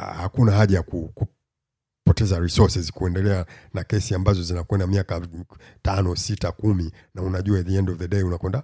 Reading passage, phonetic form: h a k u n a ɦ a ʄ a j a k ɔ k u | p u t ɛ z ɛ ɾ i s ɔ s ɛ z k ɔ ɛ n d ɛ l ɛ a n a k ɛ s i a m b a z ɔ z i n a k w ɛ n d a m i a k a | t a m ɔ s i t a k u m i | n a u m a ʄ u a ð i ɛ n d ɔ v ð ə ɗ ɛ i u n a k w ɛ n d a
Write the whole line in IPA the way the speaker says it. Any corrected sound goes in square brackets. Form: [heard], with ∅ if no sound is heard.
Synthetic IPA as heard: h a k u n a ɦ a ʄ a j a k [u] k u | p [ɔ] t ɛ z [a] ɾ i s ɔ s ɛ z k [u] ɛ n d ɛ l ɛ a n a k ɛ s i a m b a z ɔ z i n a k w ɛ n d a m i a k a | t a [n] ɔ s i t a k u m i | n a u [n] a ʄ u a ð i ɛ n d ɔ v ð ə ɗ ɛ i u n a k w ɛ n d a